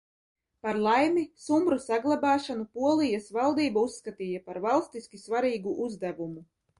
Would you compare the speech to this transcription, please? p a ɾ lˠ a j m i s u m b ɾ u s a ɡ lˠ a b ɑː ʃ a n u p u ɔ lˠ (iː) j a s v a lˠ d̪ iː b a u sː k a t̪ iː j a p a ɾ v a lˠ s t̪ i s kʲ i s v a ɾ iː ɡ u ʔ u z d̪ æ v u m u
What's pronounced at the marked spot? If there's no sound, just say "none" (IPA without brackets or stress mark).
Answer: i